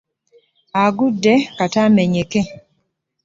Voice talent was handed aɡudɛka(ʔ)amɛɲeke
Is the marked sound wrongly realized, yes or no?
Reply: yes